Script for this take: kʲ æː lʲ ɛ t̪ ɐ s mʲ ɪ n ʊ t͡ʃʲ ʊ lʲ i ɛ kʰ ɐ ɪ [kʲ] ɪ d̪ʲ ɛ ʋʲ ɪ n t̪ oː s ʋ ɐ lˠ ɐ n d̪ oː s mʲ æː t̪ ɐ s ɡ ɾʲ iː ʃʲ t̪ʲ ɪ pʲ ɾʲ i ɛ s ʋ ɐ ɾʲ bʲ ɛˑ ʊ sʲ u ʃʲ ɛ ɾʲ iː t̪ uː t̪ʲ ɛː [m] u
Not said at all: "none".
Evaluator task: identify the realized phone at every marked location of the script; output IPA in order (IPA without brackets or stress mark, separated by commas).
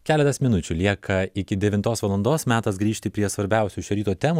kʲ, m